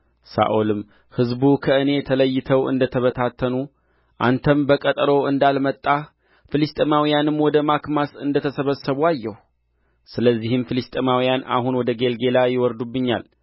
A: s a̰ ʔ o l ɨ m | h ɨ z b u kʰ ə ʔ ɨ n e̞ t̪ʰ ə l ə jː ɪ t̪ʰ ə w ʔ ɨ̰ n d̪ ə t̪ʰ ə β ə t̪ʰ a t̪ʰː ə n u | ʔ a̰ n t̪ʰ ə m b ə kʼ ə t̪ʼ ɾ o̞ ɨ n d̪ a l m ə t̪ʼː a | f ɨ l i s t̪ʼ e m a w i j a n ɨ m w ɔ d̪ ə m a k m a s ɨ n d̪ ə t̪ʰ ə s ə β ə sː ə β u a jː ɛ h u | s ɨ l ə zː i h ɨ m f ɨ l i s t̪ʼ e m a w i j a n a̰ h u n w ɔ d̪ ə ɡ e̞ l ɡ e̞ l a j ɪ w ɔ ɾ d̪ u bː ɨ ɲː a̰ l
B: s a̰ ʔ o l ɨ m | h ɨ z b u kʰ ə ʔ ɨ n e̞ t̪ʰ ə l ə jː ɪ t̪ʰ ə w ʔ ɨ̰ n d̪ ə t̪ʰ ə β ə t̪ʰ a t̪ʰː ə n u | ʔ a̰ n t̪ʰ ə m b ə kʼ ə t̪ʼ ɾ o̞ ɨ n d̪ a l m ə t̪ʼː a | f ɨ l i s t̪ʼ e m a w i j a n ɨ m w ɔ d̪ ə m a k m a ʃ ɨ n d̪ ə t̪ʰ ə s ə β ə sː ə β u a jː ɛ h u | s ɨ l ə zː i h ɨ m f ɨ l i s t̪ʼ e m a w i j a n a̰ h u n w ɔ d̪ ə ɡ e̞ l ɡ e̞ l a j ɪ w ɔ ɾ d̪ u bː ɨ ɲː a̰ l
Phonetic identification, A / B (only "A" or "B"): A